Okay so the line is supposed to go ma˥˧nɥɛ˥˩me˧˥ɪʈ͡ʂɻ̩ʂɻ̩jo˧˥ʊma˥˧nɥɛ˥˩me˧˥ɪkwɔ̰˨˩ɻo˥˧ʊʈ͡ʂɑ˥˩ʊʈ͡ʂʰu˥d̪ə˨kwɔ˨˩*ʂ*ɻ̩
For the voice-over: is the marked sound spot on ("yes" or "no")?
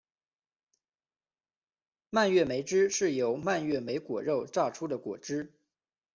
no